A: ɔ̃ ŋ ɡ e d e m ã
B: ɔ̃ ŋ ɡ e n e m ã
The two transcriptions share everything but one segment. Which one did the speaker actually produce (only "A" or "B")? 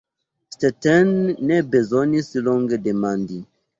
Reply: A